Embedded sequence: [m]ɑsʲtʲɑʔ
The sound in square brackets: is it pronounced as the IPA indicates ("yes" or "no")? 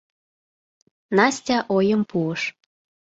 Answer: no